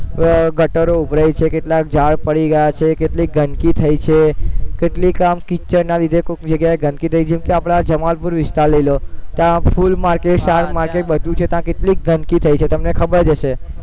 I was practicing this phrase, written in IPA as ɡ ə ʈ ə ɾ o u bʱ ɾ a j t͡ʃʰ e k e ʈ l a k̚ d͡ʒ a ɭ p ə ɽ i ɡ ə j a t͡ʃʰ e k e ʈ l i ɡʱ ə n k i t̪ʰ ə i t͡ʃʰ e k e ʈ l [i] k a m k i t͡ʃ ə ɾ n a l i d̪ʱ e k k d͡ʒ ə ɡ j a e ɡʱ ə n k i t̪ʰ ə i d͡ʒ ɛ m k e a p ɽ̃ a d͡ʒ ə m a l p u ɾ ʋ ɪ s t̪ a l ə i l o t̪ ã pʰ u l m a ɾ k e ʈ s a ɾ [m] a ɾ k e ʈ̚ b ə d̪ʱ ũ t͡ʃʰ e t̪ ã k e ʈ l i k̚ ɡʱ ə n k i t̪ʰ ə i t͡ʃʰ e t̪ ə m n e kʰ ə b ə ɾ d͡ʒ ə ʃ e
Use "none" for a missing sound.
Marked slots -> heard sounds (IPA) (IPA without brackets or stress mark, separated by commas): i, m